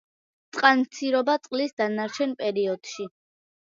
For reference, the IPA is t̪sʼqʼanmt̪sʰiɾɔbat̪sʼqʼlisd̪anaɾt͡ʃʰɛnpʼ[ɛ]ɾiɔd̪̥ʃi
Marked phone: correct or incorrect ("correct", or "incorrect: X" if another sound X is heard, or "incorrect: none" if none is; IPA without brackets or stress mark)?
correct